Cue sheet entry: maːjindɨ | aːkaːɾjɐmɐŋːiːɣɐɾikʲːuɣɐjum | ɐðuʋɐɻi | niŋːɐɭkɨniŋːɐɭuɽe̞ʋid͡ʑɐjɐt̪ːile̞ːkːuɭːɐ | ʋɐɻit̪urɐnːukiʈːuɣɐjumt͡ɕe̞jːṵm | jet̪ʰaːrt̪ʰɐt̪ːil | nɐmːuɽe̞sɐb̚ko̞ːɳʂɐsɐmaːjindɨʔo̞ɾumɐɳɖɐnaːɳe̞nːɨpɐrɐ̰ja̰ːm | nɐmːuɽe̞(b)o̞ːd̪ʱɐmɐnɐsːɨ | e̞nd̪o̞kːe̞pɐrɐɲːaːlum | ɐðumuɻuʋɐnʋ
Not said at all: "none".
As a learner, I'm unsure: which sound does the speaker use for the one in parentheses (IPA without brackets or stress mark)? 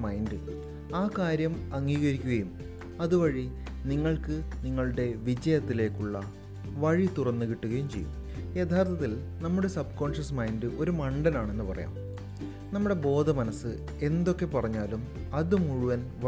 b